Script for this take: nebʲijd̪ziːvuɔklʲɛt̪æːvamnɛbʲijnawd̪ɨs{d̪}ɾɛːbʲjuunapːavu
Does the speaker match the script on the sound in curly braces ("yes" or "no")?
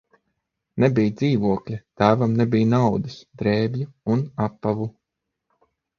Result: yes